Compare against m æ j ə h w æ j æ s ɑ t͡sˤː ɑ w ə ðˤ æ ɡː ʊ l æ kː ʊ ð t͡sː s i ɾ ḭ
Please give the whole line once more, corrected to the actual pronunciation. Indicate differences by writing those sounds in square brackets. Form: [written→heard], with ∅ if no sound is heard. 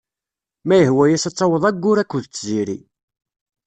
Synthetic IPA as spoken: m æ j ə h w æ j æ s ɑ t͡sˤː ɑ w ə ðˤ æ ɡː ʊ [l→ɾ] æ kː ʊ ð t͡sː [s→z] i ɾ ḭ